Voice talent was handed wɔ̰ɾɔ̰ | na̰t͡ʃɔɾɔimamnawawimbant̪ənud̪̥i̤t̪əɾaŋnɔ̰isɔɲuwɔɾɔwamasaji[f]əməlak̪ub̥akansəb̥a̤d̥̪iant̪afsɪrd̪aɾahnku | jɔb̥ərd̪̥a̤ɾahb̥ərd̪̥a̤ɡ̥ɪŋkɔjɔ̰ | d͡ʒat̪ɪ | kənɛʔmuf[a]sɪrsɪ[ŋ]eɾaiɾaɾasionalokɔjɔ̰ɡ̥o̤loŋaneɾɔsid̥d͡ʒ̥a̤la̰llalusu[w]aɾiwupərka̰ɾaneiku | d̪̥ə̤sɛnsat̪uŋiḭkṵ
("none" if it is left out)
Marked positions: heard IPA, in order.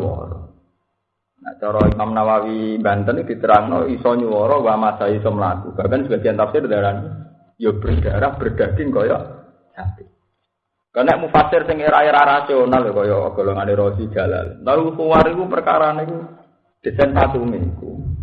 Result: s, a, ŋ, w

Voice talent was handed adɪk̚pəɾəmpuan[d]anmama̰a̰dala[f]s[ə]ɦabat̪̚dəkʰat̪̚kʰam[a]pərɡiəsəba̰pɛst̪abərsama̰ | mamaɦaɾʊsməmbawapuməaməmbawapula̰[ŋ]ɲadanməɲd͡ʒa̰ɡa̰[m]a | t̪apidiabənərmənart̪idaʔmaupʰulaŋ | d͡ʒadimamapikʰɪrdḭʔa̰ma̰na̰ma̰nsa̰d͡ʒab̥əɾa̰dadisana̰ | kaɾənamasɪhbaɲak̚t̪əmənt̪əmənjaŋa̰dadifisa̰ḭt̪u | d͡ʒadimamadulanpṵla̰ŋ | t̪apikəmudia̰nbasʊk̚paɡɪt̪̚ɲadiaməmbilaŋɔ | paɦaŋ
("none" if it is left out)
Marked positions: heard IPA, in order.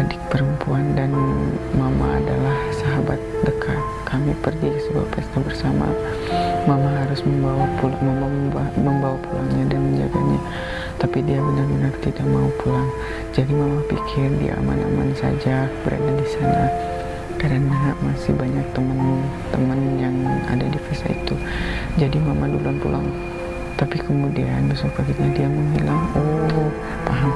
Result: d, h, a, i, ŋ, ɲ

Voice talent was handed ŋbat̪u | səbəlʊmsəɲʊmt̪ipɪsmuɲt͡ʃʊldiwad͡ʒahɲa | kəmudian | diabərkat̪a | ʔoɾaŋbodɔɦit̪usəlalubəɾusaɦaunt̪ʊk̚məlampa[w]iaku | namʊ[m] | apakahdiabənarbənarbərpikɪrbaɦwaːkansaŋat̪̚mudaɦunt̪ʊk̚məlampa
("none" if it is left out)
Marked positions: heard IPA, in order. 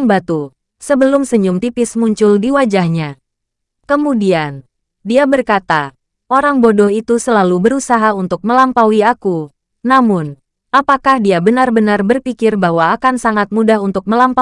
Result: w, n

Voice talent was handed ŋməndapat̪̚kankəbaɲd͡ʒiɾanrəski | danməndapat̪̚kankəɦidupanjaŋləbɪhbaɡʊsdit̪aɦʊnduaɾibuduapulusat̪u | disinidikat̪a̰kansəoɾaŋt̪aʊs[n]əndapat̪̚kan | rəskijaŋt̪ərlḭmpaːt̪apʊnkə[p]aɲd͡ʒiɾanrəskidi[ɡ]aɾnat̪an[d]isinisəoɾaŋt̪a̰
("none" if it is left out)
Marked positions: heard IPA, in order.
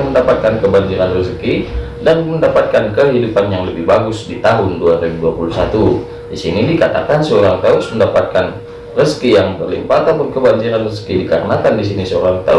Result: m, b, k, d

